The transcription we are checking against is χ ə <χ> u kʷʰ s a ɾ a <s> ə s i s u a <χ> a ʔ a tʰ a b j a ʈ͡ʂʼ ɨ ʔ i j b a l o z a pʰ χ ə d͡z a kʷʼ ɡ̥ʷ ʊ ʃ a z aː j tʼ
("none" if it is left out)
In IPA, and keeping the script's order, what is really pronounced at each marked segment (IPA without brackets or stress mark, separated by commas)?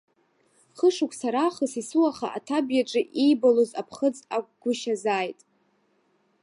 ʂ, χ, χ